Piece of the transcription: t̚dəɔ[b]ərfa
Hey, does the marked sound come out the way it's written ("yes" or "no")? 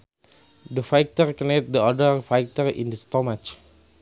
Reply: no